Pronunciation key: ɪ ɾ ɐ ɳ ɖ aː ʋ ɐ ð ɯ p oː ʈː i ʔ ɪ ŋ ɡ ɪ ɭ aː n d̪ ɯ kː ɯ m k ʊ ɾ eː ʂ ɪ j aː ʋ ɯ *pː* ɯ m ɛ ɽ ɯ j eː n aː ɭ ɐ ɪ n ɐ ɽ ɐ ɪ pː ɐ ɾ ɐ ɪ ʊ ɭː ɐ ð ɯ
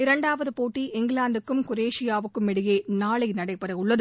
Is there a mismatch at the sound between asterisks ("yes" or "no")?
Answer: yes